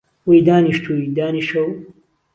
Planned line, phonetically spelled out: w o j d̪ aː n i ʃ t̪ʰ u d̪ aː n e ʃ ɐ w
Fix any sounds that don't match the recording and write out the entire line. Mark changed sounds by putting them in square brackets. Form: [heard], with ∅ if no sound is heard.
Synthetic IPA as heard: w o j d̪ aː n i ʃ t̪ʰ u d̪ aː n [i] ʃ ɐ w